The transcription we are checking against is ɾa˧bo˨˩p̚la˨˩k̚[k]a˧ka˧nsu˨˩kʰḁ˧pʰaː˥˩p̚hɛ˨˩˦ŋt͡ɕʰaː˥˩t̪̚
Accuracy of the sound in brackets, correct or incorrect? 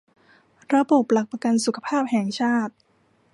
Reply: incorrect